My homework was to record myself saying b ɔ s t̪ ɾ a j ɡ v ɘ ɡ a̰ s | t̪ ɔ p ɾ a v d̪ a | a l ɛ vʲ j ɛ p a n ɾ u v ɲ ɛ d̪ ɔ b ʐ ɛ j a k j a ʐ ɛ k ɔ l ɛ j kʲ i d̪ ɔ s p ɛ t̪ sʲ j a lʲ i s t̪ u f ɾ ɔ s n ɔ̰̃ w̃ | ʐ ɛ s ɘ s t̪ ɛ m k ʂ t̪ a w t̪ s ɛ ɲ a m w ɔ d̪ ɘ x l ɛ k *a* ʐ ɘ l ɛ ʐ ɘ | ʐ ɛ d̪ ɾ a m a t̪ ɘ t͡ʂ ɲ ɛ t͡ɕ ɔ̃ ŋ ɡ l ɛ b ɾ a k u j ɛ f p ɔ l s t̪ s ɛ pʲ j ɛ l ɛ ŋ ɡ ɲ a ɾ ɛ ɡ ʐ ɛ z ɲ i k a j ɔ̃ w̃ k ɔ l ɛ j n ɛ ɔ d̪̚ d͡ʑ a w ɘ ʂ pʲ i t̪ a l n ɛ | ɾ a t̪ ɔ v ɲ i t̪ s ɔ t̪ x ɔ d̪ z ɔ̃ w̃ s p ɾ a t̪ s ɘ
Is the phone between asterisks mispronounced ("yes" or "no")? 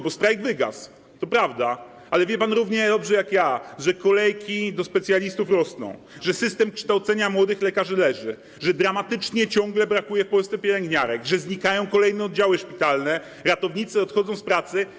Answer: no